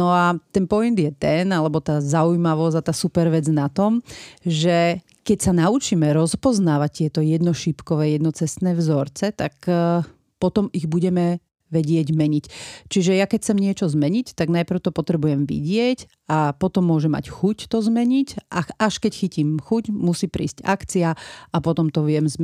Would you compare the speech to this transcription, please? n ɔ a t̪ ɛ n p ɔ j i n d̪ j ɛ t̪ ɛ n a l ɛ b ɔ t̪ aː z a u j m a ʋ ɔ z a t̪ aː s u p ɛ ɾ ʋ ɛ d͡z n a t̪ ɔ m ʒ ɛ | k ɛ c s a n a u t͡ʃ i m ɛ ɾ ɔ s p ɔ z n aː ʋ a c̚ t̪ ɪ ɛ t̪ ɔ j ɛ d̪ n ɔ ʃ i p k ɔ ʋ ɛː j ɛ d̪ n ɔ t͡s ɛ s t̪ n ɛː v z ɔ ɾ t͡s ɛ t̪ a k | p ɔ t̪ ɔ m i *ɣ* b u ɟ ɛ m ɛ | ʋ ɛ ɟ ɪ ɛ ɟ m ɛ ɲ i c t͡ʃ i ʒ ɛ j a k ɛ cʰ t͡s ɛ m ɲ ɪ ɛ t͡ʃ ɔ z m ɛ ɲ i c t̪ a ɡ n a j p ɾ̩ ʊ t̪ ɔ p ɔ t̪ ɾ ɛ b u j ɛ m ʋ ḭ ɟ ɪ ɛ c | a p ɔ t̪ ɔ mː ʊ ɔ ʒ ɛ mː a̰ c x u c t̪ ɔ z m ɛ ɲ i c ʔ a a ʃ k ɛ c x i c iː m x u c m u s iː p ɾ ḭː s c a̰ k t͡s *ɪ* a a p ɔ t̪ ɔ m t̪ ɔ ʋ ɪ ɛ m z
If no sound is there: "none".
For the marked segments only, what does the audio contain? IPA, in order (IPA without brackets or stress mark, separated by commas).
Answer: ɣ, i